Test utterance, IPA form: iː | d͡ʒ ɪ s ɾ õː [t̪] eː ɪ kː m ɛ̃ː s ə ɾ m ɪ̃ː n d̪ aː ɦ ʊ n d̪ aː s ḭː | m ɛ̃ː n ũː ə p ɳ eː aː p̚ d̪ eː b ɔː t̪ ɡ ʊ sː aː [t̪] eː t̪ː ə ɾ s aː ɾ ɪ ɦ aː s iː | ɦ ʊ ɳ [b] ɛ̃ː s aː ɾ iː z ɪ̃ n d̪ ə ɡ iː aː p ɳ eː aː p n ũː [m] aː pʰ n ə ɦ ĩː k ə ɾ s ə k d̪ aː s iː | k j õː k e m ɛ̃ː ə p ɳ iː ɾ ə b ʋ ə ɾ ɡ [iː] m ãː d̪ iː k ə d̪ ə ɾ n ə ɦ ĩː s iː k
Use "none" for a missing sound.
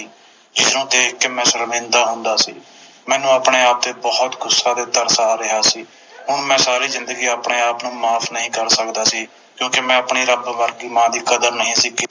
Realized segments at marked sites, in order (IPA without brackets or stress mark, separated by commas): t̪, d̪, m, m, iː